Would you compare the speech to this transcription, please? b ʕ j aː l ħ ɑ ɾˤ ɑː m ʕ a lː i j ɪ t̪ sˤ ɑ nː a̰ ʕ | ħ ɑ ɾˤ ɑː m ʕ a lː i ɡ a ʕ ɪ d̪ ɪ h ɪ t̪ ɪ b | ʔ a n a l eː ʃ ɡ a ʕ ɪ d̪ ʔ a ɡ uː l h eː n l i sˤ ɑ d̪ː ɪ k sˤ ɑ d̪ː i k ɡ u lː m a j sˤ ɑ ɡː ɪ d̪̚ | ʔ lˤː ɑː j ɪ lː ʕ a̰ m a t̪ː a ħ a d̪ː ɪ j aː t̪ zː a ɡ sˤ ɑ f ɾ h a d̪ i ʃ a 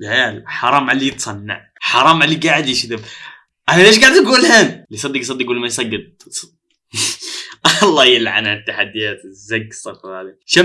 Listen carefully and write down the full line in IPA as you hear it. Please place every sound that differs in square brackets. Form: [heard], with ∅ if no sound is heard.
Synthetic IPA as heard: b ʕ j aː l ħ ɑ ɾˤ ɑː m ʕ a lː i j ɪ t̪ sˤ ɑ nː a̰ ʕ | ħ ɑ ɾˤ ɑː m ʕ a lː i ɡ a ʕ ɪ d̪ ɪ [ʃ] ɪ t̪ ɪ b | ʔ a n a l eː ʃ ɡ a ʕ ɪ d̪ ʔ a ɡ uː l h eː n l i sˤ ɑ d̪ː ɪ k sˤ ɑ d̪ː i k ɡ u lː m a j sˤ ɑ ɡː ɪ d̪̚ | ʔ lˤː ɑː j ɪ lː ʕ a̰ [n] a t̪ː a ħ a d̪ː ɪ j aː t̪ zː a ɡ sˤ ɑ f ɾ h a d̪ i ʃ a